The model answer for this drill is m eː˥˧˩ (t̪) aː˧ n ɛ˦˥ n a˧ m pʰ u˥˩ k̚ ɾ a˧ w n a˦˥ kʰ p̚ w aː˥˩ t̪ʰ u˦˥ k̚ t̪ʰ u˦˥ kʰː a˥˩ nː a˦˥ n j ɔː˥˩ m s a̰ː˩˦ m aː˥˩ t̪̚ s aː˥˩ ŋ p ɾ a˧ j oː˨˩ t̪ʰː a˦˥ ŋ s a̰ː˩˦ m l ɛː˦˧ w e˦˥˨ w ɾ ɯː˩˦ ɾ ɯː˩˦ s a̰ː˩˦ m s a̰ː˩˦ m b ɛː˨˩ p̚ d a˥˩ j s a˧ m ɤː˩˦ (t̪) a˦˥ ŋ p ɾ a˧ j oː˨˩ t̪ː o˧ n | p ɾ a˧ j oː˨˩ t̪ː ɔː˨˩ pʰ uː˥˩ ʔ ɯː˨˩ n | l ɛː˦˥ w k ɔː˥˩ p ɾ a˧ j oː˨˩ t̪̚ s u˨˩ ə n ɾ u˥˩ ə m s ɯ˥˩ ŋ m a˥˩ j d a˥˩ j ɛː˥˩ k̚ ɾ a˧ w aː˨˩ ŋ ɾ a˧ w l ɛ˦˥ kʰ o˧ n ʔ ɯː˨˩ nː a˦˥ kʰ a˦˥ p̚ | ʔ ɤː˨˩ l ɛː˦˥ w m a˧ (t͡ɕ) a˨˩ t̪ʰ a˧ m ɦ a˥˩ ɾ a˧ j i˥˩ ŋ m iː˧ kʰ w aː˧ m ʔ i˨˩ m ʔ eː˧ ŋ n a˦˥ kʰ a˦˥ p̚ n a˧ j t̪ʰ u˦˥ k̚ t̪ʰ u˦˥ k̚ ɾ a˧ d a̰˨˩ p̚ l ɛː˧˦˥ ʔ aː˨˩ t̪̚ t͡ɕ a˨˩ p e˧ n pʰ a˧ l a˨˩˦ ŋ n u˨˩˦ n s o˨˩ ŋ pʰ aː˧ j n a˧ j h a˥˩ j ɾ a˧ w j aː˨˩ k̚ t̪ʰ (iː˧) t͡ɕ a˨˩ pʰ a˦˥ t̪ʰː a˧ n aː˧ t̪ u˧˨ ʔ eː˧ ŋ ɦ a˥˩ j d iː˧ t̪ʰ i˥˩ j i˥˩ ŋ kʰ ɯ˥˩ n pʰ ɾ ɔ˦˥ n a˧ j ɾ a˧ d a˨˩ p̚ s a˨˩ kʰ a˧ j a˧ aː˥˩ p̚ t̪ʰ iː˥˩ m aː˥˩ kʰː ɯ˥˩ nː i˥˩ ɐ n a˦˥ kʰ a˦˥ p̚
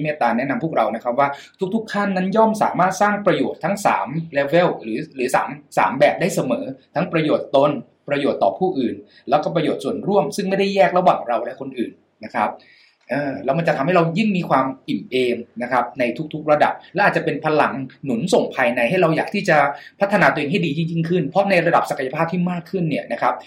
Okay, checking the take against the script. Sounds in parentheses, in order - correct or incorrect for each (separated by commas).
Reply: correct, incorrect, correct, incorrect